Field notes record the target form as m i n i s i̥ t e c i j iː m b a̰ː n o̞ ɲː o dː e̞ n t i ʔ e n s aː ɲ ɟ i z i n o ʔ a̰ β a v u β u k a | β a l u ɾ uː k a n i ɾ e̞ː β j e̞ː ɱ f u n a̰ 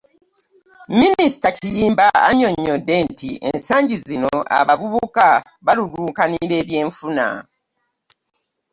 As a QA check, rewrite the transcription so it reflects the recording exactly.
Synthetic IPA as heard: m i n i s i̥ t a c i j iː m b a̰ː ɲ o̞ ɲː o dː e̞ n t i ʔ e n s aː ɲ ɟ i z i n o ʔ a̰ β a v u β u k a | β a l u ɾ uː k a n i ɾ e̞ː β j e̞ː ɱ f u n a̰